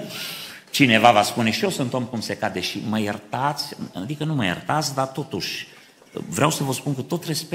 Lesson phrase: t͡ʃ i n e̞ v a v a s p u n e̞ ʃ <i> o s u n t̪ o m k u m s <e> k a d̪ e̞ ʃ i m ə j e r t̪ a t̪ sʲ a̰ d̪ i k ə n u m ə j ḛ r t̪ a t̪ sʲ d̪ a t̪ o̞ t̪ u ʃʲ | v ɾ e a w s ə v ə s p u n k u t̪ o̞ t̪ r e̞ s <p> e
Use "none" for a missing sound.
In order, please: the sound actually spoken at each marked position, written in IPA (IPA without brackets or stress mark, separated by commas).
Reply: i, e, p